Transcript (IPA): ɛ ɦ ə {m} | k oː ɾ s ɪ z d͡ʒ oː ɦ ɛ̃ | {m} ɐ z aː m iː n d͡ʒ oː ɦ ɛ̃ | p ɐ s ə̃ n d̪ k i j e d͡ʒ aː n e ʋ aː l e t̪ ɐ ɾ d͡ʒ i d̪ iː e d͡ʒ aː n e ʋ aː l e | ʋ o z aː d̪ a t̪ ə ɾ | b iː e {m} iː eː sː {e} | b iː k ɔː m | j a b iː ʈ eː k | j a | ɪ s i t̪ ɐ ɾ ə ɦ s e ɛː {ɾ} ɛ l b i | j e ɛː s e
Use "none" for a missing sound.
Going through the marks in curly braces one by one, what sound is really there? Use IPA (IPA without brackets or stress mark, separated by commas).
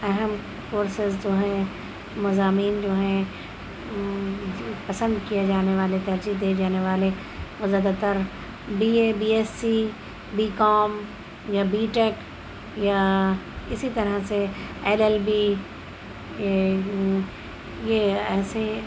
m, m, b, i, l